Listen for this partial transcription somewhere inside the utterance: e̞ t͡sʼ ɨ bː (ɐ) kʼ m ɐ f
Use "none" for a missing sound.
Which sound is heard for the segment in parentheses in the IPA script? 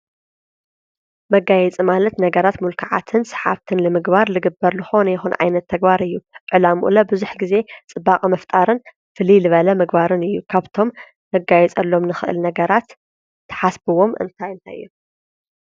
a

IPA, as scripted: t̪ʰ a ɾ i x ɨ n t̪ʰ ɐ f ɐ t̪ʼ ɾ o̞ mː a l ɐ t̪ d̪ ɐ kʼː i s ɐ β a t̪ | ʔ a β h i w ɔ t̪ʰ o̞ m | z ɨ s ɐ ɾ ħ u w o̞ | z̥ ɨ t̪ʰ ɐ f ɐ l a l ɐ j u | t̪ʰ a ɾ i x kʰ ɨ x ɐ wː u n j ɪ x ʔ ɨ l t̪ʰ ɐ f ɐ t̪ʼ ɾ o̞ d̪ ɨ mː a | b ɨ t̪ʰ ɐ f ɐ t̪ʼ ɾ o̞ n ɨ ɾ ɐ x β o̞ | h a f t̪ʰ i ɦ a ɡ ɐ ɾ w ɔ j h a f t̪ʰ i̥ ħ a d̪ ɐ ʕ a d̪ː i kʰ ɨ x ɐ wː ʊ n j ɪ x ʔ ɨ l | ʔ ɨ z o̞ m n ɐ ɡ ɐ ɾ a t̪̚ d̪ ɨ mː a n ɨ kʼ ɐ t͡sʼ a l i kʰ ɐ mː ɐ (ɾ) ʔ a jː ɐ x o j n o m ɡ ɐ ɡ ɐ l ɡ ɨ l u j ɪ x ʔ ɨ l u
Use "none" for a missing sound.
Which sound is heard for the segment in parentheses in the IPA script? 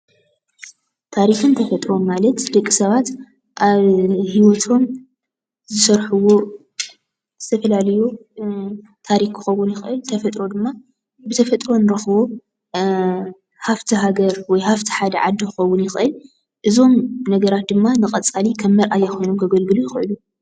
ɾ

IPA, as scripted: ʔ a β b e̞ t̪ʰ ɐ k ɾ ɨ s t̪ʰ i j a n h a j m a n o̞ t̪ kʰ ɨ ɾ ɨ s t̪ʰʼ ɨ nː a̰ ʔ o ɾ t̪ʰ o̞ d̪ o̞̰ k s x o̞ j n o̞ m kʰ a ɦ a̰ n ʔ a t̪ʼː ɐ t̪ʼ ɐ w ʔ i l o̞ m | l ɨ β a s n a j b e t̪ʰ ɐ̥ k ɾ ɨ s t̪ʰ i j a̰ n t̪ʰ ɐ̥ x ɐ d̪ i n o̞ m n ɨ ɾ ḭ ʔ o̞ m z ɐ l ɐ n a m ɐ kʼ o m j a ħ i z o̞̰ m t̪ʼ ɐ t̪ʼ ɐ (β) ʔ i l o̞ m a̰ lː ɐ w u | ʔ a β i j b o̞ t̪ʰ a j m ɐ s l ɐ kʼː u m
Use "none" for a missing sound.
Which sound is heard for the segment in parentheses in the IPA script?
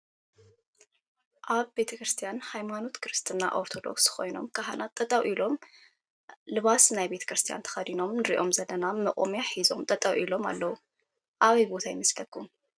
w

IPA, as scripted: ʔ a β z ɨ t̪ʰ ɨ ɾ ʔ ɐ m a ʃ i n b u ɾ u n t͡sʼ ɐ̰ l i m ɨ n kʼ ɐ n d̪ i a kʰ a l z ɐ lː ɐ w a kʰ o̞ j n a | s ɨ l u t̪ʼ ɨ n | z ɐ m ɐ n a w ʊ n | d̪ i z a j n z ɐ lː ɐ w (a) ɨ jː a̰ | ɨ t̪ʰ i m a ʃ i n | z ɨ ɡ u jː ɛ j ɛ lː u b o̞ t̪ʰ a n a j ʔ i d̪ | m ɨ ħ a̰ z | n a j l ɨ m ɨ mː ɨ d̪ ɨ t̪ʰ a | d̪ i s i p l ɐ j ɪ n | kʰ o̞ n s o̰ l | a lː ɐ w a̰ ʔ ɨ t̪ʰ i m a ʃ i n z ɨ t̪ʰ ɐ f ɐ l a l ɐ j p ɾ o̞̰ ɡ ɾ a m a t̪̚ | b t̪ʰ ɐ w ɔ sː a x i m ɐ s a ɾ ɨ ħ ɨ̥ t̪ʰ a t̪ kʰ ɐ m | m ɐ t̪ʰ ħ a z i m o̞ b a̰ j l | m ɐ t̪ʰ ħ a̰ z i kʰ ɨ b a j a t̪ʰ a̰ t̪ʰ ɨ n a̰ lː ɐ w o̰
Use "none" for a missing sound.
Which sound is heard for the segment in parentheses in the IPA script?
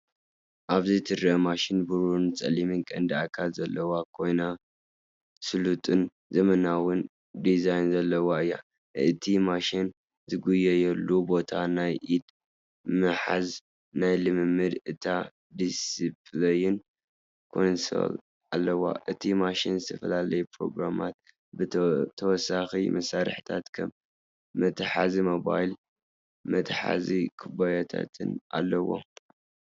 a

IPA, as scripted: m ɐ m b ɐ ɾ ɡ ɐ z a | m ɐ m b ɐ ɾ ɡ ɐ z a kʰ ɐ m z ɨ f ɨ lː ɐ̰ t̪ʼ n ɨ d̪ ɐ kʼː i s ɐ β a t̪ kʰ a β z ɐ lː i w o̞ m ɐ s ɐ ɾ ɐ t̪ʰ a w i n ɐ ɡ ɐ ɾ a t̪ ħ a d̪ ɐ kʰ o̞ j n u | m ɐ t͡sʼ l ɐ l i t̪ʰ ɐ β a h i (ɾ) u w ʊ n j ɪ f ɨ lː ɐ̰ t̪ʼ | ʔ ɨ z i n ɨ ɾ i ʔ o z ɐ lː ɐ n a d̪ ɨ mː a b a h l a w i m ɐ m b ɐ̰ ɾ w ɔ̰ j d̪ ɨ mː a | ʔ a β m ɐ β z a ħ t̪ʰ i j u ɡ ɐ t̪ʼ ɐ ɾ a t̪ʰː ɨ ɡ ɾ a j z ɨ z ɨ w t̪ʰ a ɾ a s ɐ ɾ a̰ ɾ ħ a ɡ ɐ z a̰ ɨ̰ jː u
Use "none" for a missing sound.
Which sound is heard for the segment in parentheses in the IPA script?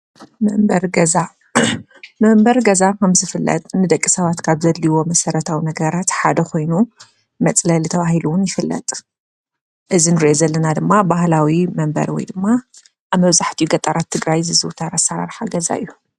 l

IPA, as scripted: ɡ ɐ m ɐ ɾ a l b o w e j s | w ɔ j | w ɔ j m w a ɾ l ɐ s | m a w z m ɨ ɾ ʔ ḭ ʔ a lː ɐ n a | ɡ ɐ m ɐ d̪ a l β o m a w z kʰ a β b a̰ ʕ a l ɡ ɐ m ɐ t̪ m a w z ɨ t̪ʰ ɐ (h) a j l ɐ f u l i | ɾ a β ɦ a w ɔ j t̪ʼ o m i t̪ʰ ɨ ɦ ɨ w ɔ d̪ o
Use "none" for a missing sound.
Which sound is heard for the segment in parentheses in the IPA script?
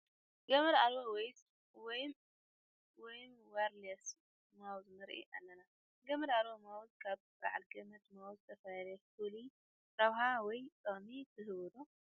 f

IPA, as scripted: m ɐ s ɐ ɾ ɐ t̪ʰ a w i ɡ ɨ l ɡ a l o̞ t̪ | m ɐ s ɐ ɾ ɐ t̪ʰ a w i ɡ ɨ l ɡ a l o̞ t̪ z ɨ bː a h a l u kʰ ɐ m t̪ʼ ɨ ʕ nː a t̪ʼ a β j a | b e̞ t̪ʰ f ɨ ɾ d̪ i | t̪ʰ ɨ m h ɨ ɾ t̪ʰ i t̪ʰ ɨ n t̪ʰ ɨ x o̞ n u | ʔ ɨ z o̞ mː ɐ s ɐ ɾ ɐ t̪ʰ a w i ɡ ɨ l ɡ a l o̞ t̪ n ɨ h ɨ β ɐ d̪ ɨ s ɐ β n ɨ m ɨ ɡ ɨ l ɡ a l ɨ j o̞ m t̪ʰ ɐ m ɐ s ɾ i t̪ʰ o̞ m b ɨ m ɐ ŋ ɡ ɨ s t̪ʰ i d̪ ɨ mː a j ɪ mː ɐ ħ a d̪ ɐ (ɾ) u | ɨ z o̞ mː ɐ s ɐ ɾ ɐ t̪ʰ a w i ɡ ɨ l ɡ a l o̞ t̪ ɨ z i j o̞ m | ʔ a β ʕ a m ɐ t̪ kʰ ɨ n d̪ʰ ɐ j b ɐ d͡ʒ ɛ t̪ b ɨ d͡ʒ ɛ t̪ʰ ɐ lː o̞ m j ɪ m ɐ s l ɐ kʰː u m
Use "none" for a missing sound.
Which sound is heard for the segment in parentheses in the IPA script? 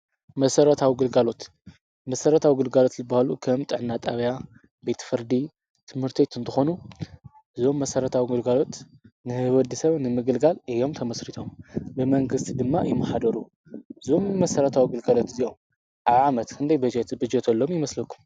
ɾ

